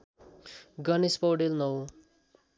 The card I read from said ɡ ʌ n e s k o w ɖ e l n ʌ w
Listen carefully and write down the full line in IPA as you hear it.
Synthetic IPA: ɡ ʌ n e s p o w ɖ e l n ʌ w